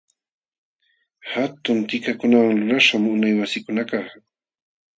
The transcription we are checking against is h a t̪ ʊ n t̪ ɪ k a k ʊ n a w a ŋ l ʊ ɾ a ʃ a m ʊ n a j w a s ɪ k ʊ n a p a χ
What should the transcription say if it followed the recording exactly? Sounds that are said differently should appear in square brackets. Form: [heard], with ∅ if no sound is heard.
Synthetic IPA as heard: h a t̪ ʊ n t̪ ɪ k a k ʊ n a w a ŋ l ʊ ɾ a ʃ a m ʊ n a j w a s ɪ k ʊ n a [k] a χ